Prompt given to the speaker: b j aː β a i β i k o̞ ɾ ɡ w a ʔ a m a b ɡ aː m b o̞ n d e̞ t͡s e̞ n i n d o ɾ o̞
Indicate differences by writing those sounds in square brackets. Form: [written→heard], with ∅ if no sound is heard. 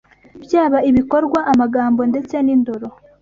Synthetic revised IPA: b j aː β a i β i k o̞ ɾ ɡ w a ʔ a m a [b→∅] ɡ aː m b o̞ n d e̞ t͡s e̞ n i n d o ɾ o̞